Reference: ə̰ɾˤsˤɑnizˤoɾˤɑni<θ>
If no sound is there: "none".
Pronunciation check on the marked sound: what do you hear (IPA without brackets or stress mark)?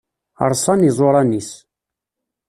s